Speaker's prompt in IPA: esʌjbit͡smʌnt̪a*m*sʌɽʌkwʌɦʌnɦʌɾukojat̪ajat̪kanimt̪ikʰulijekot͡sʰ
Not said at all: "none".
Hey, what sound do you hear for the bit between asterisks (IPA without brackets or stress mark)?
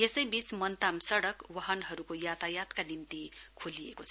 m